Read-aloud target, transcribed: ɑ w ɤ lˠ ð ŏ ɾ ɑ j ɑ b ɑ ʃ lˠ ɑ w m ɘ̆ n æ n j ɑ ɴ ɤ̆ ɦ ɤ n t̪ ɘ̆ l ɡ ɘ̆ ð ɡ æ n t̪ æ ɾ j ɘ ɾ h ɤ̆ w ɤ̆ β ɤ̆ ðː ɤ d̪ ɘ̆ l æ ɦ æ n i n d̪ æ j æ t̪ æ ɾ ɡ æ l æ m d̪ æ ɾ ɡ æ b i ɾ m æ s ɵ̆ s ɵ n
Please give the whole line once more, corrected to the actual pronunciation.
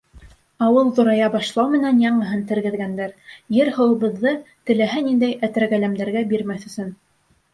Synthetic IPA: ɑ w ɤ lˠ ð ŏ ɾ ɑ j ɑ b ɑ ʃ lˠ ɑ w m ɘ̆ n æ n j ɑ ɴ ɤ̆ ɦ ɤ n t̪ ɘ̆ ɾ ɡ ɘ̆ ð ɡ æ n d̪ æ ɾ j ɘ ɾ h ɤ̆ w ɤ̆ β ɤ̆ ðː ɤ t̪ ɘ̆ l æ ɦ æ n i n d̪ æ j æ t̪ æ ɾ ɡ æ l æ m d̪ æ ɾ ɡ æ b i ɾ m æ θ ɵ̆ s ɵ n

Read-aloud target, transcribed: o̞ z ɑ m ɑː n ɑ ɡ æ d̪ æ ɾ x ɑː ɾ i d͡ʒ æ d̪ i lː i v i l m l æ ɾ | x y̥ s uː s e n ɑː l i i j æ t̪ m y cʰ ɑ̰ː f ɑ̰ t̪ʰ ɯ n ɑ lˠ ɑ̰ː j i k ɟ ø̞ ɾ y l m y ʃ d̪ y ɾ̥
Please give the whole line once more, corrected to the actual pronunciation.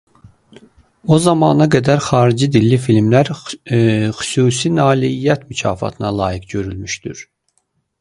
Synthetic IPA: o̞ z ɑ m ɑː n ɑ ɡ æ d̪ æ ɾ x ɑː ɾ i d͡ʒ i d̪ i lː i f i l m l æ ɾ | x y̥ s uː s i n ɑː l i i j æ t̪ m y cʰ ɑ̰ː f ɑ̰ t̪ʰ ɯ n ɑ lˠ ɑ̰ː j i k ɟ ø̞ ɾ y l m y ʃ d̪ y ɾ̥

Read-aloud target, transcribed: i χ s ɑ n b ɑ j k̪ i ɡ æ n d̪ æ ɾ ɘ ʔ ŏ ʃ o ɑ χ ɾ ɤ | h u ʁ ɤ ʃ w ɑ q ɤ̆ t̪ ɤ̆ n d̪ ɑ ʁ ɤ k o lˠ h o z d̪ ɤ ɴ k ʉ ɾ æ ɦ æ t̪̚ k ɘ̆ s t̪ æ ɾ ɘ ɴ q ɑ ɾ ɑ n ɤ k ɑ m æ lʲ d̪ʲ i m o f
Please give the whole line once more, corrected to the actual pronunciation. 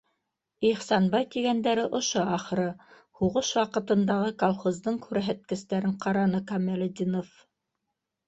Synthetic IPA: i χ s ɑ n b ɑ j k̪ i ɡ æ n d̪ æ ɾ ɘ ʔ ŏ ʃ o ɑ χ ɾ ɤ | h u ʁ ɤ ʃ w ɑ q ɤ̆ t̪ ɤ̆ n d̪ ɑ ʁ ɤ k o lˠ χ o z d̪ ɤ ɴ k ʉ ɾ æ ɦ æ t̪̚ k ɘ̆ s t̪ æ ɾ ɘ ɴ q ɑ ɾ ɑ n ɤ k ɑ m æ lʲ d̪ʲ i n o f

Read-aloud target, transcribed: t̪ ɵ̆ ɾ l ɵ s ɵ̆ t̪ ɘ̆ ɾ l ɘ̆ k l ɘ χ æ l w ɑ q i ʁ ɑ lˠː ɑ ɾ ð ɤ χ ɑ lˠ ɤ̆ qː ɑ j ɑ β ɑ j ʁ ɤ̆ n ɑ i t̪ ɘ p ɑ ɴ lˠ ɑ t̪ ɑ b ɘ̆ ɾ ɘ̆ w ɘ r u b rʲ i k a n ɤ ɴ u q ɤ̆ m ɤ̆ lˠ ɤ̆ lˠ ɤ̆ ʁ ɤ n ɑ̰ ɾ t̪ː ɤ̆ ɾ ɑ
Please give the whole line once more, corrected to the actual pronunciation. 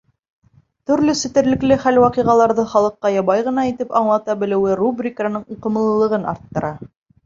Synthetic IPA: t̪ ɵ̆ ɾ l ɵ s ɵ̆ t̪ ɘ̆ ɾ l ɘ̆ k l ɘ χ æ l w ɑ q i ʁ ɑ lˠ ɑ ɾ ð ɤ χ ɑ lˠ ɤ̆ qː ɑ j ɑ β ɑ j ʁ ɤ̆ n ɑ i t̪ ɘ p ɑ ɴ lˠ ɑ t̪ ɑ b ɘ̆ l ɘ̆ w ɘ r u b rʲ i k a n ɤ ɴ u q ɤ̆ m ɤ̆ lˠ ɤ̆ lˠ ɤ̆ ʁ ɤ n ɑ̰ ɾ t̪ː ɤ̆ ɾ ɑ

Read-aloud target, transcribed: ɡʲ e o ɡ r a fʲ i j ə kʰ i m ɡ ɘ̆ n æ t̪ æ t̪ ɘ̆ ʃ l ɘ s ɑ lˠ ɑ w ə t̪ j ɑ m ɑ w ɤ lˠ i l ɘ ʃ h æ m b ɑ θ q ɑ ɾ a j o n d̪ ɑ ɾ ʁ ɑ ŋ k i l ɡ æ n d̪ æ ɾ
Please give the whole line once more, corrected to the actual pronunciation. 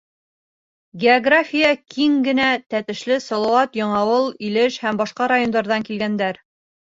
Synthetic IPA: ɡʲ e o ɡ r a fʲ i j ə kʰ i ŋ ɡ ɘ̆ n æ t̪ æ t̪ ɘ̆ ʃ l ɘ s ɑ lˠ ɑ w ɑ t̪ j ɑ ɴ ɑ w ɤ lˠ i l ɘ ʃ h æ m b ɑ ʃ q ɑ ɾ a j o n d̪ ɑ ɾ ð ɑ ŋ k i l ɡ æ n d̪ æ ɾ

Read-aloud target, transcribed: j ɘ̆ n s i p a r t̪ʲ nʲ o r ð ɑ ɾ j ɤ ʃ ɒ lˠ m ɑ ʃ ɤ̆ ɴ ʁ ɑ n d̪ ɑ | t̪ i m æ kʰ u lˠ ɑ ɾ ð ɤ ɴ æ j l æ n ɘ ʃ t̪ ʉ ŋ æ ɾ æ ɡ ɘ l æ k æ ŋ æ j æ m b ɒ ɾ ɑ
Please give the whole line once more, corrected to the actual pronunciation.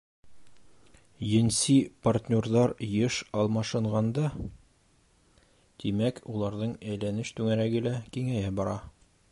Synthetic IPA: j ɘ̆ n s i p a r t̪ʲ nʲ o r ð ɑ ɾ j ɤ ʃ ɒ lˠ m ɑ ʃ ɤ̆ ɴ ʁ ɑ n d̪ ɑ | t̪ i m æ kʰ u lˠ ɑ ɾ ð ɤ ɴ æ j l æ n ɘ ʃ t̪ ʉ ŋ æ ɾ æ ɡ ɘ l æ k i ŋ æ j æ b ɒ ɾ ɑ

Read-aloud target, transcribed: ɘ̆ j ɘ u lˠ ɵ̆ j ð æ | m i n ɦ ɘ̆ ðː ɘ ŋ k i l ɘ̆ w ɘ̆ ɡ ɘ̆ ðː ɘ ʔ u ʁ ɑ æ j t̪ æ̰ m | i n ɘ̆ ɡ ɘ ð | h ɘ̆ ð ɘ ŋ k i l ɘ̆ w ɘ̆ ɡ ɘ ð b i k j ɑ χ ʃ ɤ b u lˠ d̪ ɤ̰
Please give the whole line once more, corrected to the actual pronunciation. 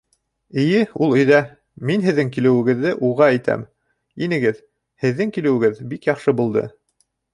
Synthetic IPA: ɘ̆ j ɘ u lˠ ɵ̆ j ð æ | m i n ɦ ɘ̆ ðː ɘ ŋ k i l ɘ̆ w ɘ̆ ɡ ɘ̆ ðː ɘ ʔ u ʁ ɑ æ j t̪ æ̰ m | i n ɘ̆ ɡ ɘ ð | h ɘ̆ ðː ɘ ŋ k i l ɘ̆ w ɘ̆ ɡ ɘ ð b i k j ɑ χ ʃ ɤ b u lˠ d̪ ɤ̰

